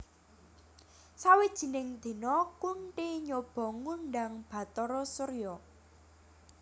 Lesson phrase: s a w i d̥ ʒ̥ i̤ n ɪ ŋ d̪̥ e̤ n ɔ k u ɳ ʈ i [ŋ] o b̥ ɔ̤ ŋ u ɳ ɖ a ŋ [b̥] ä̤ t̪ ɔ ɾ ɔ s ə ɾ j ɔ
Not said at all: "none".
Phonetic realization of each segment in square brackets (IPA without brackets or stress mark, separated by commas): ɲ, b̥